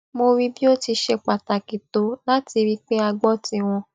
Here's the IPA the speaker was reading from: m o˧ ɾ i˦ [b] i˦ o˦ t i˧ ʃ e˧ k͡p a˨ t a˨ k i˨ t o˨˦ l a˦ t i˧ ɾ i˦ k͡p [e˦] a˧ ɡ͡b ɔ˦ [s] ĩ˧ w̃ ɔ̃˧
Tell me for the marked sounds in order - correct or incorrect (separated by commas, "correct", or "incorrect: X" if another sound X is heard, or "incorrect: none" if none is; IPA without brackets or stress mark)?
correct, correct, incorrect: t